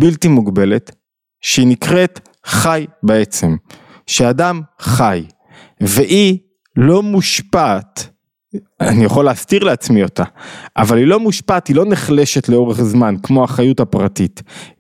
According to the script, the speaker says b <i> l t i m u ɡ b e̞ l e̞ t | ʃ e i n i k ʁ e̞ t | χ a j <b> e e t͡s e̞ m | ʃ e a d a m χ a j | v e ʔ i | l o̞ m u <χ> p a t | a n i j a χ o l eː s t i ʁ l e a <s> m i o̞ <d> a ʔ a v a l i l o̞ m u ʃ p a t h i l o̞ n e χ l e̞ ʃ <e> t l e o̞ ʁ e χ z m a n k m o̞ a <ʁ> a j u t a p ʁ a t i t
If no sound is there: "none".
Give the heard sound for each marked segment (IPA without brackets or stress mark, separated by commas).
i, b, ʃ, t͡s, t, e, χ